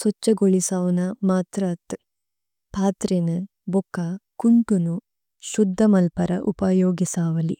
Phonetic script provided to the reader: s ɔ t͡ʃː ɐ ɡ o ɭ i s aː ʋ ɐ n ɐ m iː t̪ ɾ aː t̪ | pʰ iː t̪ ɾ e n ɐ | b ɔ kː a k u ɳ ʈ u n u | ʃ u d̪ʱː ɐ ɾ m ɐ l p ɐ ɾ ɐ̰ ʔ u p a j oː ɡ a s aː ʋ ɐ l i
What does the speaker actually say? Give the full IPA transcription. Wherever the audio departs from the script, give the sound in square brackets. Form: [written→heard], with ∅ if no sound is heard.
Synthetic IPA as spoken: s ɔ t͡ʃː ɐ ɡ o ɭ i s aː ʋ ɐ n ɐ m [iː→aː] t̪ ɾ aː t̪ | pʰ [iː→aː] t̪ ɾ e n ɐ | b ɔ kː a k u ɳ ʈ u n u | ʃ u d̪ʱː ɐ [ɾ→∅] m ɐ l p ɐ ɾ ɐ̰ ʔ u p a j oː ɡ [a→i] s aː ʋ ɐ l i